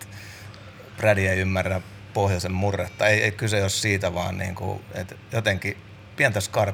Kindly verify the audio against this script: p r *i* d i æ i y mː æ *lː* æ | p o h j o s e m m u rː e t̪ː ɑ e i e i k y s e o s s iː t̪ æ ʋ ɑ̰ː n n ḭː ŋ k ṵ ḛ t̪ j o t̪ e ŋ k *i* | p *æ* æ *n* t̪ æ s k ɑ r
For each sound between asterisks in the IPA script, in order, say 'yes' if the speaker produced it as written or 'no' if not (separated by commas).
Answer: no, no, yes, no, yes